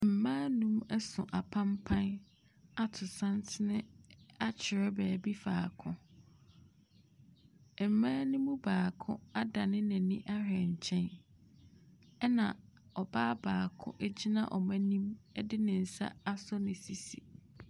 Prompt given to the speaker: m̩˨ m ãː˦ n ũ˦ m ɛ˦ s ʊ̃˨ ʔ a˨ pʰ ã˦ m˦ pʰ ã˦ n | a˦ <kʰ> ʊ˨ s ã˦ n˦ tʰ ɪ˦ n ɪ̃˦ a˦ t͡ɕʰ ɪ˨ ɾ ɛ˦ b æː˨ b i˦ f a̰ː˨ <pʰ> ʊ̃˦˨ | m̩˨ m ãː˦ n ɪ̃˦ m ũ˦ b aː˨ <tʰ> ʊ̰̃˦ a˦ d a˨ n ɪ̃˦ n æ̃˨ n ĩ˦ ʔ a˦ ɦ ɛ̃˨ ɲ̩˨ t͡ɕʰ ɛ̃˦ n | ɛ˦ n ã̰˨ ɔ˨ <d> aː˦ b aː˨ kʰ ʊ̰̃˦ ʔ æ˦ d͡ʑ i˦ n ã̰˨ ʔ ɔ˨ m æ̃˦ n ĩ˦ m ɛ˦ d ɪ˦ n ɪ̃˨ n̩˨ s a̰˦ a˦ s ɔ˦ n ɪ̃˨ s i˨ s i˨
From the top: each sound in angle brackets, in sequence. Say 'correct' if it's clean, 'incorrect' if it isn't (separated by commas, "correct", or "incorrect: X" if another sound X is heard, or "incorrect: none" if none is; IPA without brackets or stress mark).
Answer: incorrect: tʰ, incorrect: kʰ, incorrect: kʰ, incorrect: b